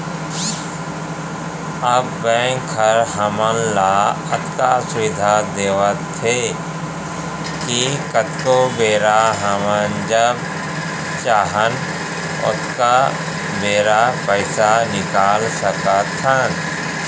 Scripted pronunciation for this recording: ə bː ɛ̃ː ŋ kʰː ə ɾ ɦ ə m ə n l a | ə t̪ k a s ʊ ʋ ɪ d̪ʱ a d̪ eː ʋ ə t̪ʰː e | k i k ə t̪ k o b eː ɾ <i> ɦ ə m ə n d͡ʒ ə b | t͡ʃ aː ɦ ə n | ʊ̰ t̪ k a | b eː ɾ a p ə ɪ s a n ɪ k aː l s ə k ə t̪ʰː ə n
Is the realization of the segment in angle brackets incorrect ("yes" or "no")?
yes